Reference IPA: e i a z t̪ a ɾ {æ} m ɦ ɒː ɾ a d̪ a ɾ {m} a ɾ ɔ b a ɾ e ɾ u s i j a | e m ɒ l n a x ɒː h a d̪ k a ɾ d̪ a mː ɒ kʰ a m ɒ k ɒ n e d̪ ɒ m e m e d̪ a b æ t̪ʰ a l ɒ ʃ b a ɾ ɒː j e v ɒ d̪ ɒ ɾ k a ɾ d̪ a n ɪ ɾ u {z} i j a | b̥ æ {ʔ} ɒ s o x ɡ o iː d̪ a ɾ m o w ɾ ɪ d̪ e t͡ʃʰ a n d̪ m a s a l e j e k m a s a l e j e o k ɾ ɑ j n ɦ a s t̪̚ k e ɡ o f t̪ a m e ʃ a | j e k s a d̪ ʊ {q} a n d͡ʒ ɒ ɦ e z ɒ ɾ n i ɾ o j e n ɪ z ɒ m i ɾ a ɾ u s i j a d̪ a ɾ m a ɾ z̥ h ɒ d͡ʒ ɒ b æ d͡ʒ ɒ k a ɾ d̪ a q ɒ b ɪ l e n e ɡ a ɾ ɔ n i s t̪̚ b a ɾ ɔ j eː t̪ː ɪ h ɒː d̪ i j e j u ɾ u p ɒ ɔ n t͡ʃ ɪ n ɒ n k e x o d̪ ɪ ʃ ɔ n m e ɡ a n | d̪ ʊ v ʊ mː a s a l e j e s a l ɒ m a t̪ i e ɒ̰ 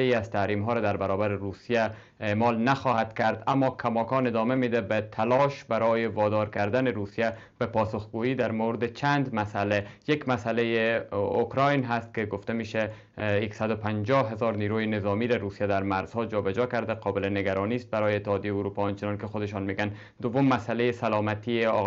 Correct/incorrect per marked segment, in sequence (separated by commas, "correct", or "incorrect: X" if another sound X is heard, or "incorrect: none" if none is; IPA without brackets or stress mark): incorrect: i, incorrect: b, incorrect: s, incorrect: p, incorrect: p